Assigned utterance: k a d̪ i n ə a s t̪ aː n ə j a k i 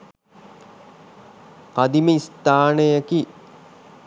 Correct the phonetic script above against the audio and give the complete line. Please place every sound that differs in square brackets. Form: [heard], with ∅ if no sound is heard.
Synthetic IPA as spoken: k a d̪ i [m] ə [i] s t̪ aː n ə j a k i